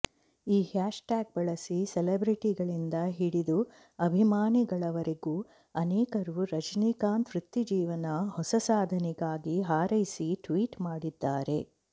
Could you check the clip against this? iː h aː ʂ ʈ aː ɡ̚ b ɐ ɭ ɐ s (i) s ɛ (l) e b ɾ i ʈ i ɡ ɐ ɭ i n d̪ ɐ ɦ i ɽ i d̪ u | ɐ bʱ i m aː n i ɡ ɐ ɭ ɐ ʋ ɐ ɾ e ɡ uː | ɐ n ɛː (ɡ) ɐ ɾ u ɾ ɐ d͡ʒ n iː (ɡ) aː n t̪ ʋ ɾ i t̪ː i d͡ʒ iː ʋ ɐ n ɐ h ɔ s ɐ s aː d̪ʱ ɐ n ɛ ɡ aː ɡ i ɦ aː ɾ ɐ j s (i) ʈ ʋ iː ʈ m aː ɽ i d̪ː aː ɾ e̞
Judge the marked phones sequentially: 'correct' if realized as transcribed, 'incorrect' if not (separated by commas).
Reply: correct, correct, incorrect, incorrect, correct